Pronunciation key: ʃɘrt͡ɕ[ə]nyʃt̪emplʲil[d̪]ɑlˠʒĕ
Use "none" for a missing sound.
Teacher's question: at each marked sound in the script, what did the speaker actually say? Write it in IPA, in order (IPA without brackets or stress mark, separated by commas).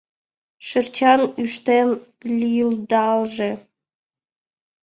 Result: ɑ, d̪